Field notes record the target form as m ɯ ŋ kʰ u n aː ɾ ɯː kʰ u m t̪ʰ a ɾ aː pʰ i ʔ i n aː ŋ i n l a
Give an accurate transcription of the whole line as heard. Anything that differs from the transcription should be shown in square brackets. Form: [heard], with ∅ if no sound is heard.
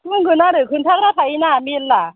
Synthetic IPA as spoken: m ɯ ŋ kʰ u n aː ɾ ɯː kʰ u [n] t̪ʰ a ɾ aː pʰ [a] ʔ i n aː [m] i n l a